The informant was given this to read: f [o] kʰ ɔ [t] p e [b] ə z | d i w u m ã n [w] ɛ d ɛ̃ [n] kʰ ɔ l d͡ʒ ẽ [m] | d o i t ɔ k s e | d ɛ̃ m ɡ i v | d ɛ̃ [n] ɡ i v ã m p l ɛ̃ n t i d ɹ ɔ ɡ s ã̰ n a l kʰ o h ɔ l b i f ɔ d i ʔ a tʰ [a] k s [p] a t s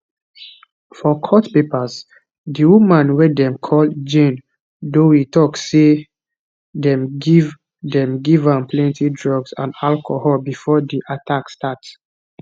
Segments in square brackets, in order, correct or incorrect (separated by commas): incorrect, correct, incorrect, correct, incorrect, incorrect, incorrect, correct, incorrect